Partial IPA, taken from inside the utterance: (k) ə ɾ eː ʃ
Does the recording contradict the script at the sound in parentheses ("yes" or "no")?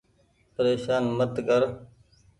yes